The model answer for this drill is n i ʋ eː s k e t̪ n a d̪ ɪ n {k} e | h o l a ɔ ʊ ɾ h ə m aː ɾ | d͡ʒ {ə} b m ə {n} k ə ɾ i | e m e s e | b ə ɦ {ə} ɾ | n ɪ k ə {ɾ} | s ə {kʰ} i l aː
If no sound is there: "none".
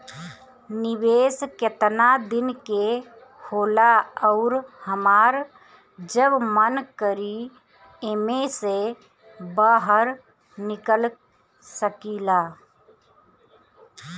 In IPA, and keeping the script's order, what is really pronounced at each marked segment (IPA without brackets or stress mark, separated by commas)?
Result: k, ə, n, ə, l, k